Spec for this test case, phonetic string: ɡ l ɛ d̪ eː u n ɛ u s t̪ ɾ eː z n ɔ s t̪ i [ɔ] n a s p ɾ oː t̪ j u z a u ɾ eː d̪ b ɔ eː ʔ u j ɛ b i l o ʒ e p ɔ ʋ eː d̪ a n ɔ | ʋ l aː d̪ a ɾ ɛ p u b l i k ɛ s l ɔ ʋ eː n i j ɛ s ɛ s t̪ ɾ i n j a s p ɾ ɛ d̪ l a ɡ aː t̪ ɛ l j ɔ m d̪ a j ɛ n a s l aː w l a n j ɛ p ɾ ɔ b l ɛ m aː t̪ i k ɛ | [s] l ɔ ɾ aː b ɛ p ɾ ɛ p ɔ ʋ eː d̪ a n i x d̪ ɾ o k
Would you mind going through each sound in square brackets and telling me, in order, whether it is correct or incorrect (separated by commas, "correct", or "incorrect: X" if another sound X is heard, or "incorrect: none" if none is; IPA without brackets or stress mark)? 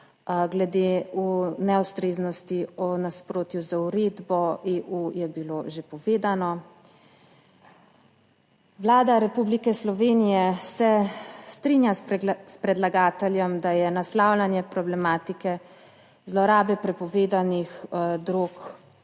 correct, incorrect: z